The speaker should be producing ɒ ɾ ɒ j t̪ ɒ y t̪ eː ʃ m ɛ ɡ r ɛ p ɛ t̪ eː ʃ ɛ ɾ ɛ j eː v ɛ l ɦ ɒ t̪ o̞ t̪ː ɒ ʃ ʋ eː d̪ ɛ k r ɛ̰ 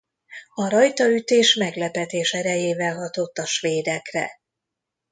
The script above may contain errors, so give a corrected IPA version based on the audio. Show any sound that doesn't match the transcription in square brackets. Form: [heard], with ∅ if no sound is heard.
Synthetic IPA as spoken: ɒ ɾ ɒ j t̪ ɒ y t̪ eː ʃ m ɛ ɡ [l] ɛ p ɛ t̪ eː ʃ ɛ ɾ ɛ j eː v ɛ l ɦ ɒ t̪ o̞ t̪ː ɒ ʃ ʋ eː d̪ ɛ k r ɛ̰